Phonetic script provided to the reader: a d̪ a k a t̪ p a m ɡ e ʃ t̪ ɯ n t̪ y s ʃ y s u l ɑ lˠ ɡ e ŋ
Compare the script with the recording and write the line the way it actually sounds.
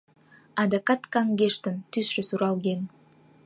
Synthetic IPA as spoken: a d̪ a k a t̪ k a ŋ ɡ e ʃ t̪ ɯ n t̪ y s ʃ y s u ɾ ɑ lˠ ɡ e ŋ